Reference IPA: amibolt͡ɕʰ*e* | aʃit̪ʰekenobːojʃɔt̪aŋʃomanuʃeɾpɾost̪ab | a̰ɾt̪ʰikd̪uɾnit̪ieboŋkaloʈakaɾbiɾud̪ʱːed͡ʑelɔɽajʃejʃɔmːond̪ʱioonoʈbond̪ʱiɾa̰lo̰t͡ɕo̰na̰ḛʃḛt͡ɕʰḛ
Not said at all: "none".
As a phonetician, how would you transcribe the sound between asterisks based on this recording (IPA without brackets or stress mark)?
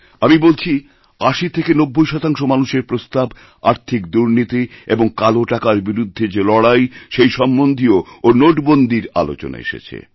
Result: i